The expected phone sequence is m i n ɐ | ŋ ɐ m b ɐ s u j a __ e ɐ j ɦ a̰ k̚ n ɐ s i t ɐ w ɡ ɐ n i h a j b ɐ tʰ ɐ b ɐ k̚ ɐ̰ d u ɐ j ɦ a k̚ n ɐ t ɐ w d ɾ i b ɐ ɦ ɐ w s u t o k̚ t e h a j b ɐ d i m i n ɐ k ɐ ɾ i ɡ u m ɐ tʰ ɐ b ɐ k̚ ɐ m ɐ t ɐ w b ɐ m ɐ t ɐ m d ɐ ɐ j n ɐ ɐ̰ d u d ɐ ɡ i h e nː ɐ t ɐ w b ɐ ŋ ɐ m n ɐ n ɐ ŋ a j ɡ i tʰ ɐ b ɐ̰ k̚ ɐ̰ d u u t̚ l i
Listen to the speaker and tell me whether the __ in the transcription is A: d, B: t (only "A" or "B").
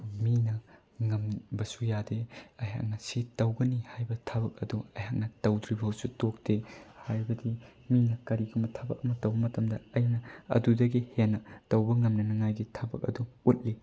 A